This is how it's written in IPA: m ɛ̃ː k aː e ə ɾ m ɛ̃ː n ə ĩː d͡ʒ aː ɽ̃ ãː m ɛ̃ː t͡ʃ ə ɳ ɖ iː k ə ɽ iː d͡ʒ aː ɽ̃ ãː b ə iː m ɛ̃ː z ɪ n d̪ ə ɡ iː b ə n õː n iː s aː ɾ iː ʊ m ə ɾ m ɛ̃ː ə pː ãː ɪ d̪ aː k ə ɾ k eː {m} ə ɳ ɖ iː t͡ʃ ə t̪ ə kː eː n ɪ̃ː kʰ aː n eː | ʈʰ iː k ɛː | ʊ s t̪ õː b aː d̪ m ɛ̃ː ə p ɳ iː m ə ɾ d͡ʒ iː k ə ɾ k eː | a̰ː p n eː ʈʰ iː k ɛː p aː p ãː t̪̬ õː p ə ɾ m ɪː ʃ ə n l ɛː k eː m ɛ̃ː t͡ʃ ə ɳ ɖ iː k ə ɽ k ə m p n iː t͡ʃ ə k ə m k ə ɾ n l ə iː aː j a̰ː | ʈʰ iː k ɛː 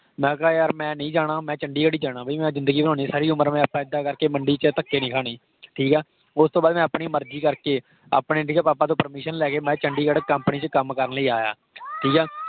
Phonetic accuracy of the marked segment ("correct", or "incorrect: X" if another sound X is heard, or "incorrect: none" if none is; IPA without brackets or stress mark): correct